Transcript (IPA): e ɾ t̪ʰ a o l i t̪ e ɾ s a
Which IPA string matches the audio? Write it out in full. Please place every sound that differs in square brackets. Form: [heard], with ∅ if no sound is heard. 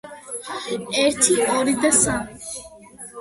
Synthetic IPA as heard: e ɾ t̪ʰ [i] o [ɾ] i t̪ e [∅] s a